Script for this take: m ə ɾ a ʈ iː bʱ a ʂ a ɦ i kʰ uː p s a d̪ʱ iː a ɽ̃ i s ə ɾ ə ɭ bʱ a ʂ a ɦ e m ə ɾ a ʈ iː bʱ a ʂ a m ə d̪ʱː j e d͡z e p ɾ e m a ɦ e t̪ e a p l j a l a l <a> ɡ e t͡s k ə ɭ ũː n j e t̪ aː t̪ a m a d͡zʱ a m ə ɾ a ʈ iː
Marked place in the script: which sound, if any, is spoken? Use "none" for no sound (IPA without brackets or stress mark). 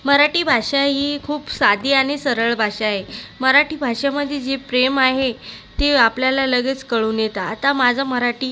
ə